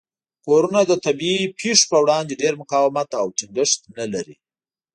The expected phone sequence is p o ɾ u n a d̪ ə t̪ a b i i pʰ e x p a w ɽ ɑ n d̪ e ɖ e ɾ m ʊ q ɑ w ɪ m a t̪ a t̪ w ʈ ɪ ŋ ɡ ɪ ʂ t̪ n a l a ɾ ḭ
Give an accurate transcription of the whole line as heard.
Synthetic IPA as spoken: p o ɾ u n a d̪ ə t̪ a b i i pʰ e ʂ p ə w ɽ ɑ n d̪ e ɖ e ɾ m ʊ q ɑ w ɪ m a t̪ a w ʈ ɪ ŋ ɡ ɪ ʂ t̪ n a l a ɾ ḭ